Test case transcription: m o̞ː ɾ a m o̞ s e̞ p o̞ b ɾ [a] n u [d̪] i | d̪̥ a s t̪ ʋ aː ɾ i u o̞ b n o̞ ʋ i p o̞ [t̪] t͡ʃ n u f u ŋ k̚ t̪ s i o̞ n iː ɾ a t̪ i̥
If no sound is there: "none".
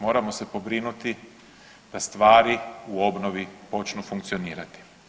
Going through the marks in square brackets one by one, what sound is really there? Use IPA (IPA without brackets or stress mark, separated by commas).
i, t̪, none